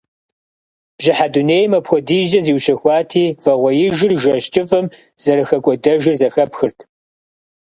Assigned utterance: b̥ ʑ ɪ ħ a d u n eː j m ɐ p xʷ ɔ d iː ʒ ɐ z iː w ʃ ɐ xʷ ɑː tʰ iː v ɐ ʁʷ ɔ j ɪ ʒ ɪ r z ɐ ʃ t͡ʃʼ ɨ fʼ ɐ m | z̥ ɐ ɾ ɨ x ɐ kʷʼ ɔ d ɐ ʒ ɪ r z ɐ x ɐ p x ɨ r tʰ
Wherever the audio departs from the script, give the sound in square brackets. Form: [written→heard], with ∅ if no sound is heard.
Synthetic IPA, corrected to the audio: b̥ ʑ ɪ ħ a d u n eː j m ɐ p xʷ ɔ d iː ʒ ɐ z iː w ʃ ɐ xʷ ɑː tʰ iː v ɐ ʁʷ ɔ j ɪ ʒ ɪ r [z→ʒ] ɐ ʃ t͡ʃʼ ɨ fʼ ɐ m | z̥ ɐ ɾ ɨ x ɐ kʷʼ ɔ d ɐ ʒ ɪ r z ɐ x ɐ p x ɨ r tʰ